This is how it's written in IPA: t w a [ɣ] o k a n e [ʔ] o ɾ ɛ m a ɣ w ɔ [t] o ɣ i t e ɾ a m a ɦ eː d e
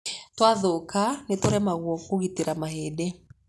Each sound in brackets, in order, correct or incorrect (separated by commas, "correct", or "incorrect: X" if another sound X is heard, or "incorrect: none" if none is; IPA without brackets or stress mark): incorrect: ð, incorrect: t, incorrect: k